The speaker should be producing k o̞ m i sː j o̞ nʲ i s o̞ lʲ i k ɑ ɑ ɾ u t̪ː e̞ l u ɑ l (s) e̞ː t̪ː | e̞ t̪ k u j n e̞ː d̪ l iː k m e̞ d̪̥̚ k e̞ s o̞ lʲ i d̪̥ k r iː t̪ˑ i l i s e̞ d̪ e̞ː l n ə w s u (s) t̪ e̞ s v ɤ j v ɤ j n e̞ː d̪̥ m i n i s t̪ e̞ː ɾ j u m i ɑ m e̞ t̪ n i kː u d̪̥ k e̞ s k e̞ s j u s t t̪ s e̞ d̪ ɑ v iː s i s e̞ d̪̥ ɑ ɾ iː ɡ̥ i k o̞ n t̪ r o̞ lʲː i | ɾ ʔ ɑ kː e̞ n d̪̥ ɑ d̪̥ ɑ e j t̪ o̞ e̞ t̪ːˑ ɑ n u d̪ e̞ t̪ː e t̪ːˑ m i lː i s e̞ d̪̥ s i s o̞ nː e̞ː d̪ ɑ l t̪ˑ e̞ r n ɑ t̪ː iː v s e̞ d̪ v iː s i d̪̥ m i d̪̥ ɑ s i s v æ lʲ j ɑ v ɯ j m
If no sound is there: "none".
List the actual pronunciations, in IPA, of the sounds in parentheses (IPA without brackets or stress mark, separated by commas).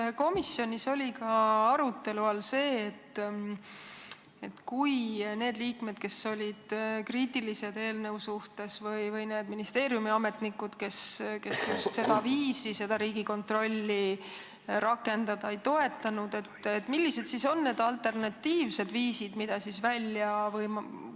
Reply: s, h